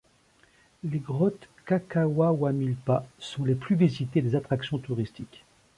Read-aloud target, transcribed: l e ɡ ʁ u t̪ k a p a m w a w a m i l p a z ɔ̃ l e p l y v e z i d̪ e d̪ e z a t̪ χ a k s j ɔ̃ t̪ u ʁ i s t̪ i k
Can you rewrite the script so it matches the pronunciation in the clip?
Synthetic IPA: l e ɡ ʁ ɔ t̪ k a k a w a w a m i l p a s ɔ̃ l e p l y v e z i t̪ e d̪ e z a t̪ χ a k s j ɔ̃ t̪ u ʁ i s t̪ i k